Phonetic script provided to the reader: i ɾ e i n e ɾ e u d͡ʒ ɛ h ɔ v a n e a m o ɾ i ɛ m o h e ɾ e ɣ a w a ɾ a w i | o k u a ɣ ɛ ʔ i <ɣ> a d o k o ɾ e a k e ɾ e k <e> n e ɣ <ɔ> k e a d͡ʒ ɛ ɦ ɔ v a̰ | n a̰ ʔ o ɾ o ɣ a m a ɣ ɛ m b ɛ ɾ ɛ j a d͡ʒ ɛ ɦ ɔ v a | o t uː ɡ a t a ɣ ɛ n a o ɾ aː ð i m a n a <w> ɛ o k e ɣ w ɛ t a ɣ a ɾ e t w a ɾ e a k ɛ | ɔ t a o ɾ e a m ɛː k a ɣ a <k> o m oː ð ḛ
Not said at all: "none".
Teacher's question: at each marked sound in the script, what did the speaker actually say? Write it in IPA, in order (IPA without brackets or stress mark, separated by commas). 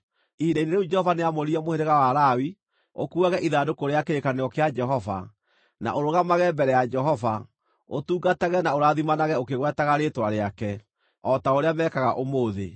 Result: ð, a, ɔ, ɣ, ʔ